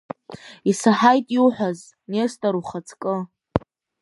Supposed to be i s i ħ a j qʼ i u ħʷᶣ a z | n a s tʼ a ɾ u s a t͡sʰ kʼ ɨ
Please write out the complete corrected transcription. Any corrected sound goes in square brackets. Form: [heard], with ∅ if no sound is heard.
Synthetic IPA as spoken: i s [a] ħ a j [tʼ] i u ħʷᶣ a z | n [e] s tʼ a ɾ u [χ] a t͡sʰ kʼ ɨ